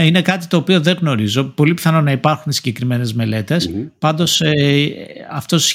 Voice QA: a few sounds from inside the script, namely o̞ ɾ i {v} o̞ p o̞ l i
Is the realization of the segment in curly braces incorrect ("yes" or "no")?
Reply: yes